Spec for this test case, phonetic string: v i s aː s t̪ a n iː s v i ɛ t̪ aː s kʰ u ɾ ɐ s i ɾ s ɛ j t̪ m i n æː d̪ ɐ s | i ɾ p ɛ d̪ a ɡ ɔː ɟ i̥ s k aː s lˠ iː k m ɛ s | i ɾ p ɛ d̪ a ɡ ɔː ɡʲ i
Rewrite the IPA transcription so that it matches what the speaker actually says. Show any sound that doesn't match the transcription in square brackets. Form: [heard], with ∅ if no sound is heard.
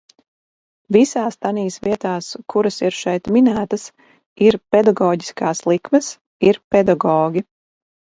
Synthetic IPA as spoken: v i s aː s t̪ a n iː s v i ɛ t̪ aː s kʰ u ɾ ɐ s i ɾ [ʃ] ɛ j t̪ m i n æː [t̪] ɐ s | i ɾ p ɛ d̪ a ɡ ɔː ɟ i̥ s k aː s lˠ [i] k m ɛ s | i ɾ p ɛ d̪ a ɡ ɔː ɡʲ i